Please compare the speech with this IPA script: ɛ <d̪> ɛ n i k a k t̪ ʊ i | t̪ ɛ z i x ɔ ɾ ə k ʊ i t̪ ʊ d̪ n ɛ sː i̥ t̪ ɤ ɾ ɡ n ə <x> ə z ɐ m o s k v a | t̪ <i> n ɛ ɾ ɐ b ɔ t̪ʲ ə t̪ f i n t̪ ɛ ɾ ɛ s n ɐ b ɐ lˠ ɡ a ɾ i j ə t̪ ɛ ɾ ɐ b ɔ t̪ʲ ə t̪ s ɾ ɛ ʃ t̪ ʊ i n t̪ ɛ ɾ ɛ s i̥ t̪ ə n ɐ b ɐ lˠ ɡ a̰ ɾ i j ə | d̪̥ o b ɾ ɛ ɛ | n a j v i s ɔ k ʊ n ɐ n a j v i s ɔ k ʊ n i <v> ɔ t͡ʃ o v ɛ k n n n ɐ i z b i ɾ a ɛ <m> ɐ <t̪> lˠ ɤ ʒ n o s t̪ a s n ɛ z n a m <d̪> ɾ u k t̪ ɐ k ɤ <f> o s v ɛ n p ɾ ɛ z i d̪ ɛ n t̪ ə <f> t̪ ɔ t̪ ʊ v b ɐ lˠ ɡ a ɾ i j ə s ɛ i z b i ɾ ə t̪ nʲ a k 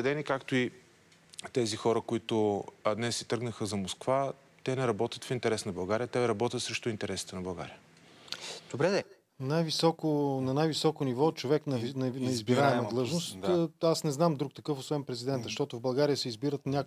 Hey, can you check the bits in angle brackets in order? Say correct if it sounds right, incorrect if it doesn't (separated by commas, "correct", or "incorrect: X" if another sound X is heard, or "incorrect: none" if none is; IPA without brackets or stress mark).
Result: correct, correct, incorrect: ɛ, correct, correct, incorrect: d̪, correct, correct, incorrect: ʃ